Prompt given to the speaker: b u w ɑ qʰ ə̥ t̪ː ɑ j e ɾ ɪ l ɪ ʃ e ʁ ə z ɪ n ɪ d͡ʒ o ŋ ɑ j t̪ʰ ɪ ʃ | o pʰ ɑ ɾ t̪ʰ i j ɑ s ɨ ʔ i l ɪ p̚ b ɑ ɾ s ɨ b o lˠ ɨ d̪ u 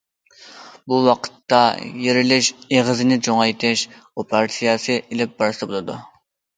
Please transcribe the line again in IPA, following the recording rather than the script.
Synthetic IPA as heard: b u w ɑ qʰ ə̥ t̪ː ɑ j e ɾ ɪ l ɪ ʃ e ʁ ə z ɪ n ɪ d͡ʒ o ŋ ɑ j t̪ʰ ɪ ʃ | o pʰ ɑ ɾ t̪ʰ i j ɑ s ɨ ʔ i l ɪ p̚ b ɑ ɾ s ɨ b o lˠ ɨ d̪ u

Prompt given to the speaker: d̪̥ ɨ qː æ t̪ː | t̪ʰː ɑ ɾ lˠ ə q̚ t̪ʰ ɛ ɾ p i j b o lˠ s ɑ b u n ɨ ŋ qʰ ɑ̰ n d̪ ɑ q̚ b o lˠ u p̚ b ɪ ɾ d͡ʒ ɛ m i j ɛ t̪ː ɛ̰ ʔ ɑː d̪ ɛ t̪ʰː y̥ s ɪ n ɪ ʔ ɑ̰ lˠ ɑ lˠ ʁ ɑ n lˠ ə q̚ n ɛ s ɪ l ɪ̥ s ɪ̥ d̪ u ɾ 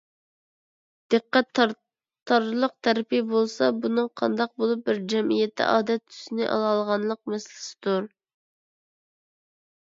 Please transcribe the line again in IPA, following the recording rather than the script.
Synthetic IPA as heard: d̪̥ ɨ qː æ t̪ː | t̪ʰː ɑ ɾ lˠ ə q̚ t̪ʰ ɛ ɾ p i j b o lˠ s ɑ b u n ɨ ŋ qʰ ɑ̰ n d̪ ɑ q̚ b o lˠ u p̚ b ɪ ɾ d͡ʒ ɛ m i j ɛ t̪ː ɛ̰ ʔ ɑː d̪ ɛ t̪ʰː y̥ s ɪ n ɪ ʔ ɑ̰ lˠ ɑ lˠ ʁ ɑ n lˠ ə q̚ m ɛ s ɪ l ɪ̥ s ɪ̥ d̪ u ɾ

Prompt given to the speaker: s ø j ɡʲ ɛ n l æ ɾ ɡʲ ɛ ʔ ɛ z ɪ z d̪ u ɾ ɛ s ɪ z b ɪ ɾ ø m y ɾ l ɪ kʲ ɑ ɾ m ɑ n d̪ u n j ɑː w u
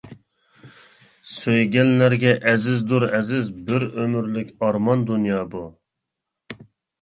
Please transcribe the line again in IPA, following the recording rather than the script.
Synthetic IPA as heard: s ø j ɡʲ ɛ n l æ ɾ ɡʲ ɛ ʔ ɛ z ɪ z d̪ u ɾ ɛ z ɪ z b ɪ ɾ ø m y ɾ l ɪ kʲ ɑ ɾ m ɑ n d̪ u n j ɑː b u

